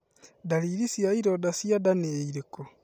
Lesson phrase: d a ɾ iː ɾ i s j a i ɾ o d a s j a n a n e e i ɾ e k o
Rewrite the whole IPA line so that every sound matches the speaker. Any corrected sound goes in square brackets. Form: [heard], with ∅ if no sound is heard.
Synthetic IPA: d a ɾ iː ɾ i s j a i ɾ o d a s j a [d] a n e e i ɾ e k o